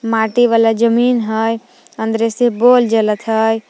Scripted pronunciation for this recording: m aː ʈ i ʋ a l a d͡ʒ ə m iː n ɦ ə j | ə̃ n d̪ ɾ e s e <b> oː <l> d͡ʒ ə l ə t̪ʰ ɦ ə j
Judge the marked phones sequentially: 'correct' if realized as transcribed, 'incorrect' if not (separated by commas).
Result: correct, correct